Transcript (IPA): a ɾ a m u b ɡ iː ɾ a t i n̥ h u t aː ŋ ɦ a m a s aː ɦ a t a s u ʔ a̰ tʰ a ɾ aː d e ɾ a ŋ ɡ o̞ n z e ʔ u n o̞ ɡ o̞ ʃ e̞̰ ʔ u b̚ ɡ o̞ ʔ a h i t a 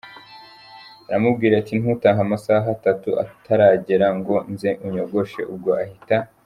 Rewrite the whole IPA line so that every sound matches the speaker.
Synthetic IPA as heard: a ɾ a m u b ɡ iː ɾ a t i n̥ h u t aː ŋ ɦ a m a s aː ɦ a t a t u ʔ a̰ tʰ a ɾ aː ɟ e ɾ a ŋ ɡ o̞ n z e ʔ u ɲ o̞ ɡ o̞ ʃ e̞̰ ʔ u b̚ ɡ o̞ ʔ a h i t a